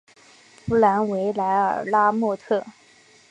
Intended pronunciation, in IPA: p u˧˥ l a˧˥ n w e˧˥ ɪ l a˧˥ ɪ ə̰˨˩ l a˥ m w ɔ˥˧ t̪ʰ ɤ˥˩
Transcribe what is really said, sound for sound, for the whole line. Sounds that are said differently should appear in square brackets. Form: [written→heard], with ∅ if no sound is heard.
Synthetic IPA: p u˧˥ l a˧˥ n w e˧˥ ɪ l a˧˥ ɪ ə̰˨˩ l a˥ m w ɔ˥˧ t̪ʰ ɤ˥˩